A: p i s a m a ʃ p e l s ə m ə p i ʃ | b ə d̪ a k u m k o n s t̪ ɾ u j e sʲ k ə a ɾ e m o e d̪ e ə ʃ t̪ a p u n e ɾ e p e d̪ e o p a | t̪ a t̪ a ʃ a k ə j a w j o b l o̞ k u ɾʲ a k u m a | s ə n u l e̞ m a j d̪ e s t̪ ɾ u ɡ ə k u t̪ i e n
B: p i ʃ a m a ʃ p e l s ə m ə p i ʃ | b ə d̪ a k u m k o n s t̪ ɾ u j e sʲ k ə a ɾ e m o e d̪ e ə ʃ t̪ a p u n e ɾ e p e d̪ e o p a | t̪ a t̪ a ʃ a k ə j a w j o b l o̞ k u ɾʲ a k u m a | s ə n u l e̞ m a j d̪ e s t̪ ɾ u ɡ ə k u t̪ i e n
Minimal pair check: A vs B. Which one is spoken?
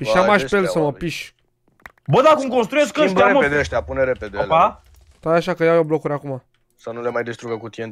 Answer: B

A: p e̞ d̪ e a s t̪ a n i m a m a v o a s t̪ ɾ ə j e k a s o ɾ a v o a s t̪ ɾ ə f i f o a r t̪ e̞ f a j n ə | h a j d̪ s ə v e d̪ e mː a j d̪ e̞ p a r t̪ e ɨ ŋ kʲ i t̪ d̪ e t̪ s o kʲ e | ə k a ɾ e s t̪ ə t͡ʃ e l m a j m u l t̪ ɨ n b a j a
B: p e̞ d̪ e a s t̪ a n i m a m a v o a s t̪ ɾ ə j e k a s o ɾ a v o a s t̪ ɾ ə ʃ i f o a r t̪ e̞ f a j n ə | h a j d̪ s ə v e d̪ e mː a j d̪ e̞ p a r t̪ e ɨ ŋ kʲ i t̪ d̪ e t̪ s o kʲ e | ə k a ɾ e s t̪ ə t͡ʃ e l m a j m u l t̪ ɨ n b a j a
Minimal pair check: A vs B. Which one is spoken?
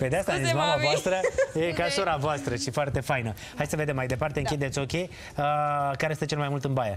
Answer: B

